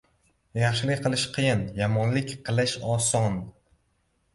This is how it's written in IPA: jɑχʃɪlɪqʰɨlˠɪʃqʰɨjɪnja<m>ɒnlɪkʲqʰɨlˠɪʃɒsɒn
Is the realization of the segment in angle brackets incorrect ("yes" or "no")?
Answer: no